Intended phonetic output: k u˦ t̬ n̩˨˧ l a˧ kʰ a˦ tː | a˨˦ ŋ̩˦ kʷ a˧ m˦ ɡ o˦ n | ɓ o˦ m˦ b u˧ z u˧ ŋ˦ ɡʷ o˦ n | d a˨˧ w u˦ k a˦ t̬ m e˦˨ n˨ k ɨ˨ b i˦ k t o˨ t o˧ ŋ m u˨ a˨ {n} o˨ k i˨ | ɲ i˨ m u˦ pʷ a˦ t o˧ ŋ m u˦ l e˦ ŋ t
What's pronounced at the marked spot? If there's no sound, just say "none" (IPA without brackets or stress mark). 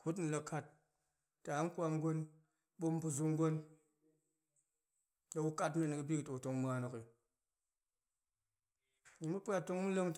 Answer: n